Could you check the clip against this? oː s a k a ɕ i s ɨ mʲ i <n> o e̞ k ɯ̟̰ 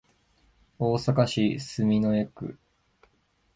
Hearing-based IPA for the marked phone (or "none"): n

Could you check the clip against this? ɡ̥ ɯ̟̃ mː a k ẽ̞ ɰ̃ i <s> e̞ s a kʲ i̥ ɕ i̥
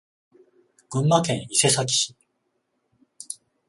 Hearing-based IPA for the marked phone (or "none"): s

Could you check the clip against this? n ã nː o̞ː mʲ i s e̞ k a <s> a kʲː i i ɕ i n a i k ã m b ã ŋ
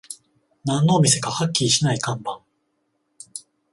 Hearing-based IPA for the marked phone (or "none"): h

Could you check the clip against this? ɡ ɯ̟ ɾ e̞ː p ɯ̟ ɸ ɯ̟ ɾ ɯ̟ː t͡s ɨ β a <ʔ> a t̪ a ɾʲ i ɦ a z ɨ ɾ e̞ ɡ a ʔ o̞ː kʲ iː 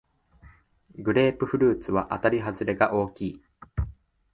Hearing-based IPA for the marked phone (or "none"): ʔ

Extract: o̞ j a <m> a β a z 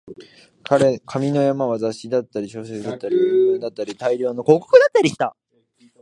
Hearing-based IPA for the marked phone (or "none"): m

